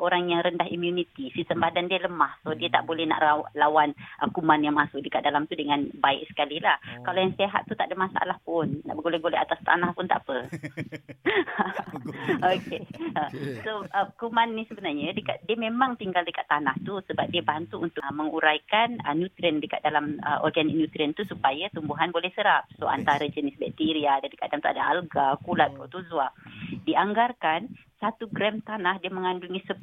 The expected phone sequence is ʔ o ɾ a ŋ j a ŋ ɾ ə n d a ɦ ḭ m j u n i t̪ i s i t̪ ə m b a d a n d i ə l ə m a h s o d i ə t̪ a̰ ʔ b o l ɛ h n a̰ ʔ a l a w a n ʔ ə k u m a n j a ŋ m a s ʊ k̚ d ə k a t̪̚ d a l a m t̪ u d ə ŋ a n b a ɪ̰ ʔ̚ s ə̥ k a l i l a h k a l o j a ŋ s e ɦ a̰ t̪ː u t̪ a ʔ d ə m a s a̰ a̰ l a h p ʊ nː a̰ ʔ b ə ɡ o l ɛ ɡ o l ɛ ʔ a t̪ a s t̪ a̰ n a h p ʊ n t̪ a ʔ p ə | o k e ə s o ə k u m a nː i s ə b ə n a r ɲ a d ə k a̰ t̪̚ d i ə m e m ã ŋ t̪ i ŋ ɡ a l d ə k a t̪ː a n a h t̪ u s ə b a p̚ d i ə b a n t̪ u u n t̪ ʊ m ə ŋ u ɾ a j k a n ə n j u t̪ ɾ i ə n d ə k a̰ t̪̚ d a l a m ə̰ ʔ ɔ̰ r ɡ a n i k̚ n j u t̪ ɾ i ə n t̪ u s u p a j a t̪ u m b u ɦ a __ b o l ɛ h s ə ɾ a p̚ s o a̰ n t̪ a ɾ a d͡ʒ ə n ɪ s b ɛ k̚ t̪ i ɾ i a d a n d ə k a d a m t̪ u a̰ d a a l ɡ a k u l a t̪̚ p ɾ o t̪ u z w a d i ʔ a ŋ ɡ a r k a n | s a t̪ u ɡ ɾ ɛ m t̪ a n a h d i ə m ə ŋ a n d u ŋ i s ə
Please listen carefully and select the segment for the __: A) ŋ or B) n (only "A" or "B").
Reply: B